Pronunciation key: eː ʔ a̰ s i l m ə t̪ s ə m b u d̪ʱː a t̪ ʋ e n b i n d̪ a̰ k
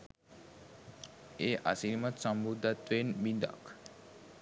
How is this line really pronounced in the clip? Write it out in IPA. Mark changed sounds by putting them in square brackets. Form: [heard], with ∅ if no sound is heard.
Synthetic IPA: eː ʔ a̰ s i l m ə t̪ s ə m b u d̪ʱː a t̪ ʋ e n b i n d̪ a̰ k